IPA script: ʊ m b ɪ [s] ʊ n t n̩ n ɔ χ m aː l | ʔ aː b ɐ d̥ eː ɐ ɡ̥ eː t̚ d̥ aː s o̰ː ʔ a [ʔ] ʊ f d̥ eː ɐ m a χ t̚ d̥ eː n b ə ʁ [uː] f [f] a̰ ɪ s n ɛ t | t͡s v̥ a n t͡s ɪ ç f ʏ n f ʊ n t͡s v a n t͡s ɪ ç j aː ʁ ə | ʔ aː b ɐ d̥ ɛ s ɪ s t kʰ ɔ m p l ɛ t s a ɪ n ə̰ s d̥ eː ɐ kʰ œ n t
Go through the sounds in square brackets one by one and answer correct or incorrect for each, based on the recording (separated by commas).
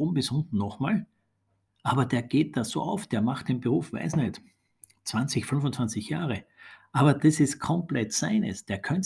correct, incorrect, correct, incorrect